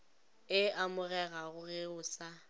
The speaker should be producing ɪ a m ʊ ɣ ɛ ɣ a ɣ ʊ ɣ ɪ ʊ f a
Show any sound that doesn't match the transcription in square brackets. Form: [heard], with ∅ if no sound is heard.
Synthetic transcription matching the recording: ɪ a m ʊ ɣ ɛ ɣ a ɣ ʊ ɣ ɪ ʊ [s] a